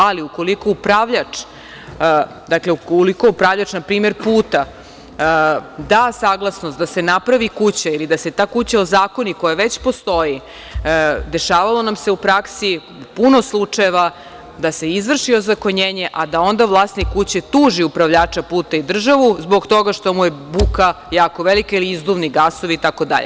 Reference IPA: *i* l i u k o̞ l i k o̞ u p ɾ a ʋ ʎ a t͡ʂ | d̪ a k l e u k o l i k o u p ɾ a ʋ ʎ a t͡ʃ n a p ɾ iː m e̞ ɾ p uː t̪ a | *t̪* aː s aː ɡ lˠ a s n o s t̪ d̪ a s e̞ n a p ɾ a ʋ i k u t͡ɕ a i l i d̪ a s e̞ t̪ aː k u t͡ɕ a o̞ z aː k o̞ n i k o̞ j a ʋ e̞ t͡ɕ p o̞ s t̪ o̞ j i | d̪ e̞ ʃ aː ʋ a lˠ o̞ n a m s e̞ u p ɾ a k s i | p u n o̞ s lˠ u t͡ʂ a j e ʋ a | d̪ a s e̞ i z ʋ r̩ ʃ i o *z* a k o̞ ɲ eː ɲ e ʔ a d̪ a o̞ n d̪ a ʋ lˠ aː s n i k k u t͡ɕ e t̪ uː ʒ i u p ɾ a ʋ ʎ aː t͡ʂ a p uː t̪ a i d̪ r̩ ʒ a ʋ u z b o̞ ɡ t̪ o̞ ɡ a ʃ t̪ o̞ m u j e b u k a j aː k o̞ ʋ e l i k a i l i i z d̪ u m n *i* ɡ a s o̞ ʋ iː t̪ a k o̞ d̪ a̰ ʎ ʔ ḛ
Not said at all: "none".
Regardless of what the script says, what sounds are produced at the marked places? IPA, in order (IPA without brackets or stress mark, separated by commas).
a, d̪, z, i